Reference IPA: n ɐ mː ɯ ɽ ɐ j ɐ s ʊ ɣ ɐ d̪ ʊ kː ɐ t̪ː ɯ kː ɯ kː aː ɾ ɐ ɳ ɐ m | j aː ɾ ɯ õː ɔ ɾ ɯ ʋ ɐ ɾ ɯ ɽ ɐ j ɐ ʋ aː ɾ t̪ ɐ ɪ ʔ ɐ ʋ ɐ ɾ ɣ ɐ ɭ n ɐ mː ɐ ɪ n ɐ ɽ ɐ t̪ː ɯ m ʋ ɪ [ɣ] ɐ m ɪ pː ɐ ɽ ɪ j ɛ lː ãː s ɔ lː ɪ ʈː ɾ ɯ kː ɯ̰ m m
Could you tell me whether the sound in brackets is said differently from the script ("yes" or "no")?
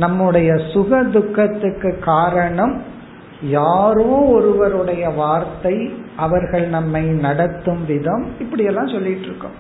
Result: yes